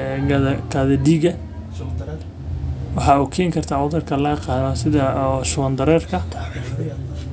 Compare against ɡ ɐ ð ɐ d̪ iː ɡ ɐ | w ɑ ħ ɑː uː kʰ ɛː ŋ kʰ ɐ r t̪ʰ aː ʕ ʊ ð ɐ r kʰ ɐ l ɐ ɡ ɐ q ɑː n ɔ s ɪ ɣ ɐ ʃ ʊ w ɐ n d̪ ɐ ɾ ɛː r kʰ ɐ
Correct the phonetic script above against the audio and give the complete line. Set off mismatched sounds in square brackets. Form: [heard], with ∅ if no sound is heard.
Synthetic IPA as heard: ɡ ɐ ð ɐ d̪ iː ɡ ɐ | w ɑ ħ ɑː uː kʰ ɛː ŋ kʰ ɐ r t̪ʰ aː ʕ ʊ ð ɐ r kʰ ɐ l ɐ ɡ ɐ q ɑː n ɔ s ɪ [ð] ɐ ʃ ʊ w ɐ n d̪ ɐ ɾ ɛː r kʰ ɐ